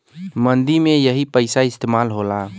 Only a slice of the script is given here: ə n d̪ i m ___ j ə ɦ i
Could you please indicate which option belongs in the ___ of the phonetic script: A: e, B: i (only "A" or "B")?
A